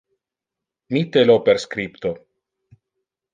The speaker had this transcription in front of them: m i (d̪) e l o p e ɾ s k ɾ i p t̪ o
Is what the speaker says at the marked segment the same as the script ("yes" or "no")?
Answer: no